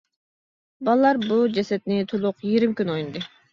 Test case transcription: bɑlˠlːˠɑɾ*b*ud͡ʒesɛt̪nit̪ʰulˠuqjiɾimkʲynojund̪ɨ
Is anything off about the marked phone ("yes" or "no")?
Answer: no